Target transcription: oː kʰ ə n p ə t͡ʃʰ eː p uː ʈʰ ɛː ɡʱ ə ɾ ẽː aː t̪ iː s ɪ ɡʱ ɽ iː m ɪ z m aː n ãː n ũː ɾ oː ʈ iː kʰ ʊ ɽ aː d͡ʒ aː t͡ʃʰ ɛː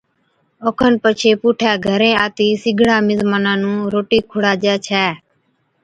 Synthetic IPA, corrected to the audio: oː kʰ ə n p ə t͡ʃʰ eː p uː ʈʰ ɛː ɡʱ ə ɾ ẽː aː t̪ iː s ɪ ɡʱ ɽ aː m ɪ z m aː n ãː n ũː ɾ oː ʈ iː kʰ ʊ ɽ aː d͡ʒ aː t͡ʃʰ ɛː

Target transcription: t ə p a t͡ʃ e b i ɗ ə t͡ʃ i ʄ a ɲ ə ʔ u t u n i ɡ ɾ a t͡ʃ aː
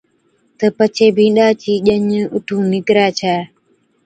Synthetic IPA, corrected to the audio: t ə p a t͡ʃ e b i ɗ a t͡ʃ i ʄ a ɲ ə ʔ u t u n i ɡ ɾ a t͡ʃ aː

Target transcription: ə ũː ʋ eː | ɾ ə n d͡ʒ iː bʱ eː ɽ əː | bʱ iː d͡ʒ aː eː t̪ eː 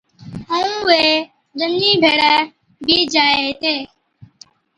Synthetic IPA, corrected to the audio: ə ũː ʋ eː | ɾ ə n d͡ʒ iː bʱ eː ɽ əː | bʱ iː d͡ʒ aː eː t̪ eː

